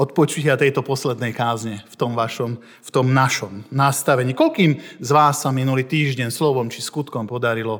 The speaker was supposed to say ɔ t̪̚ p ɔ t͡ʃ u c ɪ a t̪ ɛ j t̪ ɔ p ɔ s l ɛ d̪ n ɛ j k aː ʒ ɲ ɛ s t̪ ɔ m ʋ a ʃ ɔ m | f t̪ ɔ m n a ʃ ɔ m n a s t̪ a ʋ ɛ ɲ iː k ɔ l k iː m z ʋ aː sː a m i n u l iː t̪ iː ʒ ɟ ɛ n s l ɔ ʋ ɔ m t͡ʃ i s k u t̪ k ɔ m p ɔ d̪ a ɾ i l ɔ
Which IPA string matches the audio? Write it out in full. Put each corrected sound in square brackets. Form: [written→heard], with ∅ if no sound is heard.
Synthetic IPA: ɔ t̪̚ p ɔ t͡ʃ u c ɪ a t̪ ɛ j t̪ ɔ p ɔ s l ɛ d̪ n ɛ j k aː [ʒ→z] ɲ ɛ [s→f] t̪ ɔ m ʋ a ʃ ɔ m | f t̪ ɔ m n a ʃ ɔ m n a s t̪ a ʋ ɛ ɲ iː k ɔ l k iː m z ʋ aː sː a m i n u l iː t̪ iː ʒ ɟ ɛ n s l ɔ ʋ ɔ m t͡ʃ i s k u t̪ k ɔ m p ɔ d̪ a ɾ i l ɔ